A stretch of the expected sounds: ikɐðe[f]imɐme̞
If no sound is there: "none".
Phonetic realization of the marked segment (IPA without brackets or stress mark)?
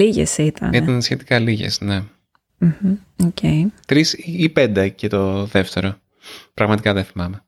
θ